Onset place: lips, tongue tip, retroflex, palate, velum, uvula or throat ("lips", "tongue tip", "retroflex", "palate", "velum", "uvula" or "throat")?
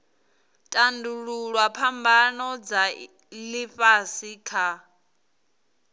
tongue tip